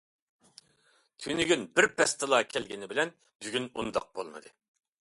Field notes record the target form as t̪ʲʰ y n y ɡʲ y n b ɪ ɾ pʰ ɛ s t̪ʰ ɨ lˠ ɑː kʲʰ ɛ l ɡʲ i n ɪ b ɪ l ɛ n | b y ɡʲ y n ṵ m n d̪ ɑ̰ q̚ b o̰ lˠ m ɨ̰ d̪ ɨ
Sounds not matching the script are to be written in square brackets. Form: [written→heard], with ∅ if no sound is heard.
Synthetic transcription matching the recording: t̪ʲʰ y n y ɡʲ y n b ɪ ɾ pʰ ɛ s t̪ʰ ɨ lˠ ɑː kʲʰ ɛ l ɡʲ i n ɪ b ɪ l ɛ n | b y ɡʲ y n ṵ [m→∅] n d̪ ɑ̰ q̚ b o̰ lˠ m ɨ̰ d̪ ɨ